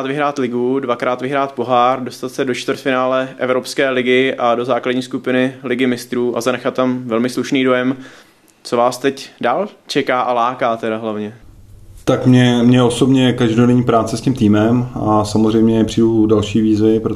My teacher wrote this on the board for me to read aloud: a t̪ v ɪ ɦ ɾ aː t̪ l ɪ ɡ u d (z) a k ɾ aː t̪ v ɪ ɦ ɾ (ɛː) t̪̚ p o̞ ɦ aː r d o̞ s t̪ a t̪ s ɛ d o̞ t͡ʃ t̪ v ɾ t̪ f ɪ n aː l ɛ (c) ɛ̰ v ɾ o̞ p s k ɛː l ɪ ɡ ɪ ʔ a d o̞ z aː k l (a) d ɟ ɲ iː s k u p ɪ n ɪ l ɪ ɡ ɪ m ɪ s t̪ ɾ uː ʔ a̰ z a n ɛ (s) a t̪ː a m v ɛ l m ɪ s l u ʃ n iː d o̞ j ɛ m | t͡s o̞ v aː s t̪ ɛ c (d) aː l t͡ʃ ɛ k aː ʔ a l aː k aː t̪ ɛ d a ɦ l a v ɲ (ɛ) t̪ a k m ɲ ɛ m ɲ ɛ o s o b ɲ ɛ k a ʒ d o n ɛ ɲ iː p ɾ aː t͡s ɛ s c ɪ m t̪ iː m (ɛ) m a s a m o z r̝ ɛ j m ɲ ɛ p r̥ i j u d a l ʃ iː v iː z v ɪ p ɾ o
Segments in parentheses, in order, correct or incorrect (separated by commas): incorrect, incorrect, incorrect, correct, incorrect, correct, correct, correct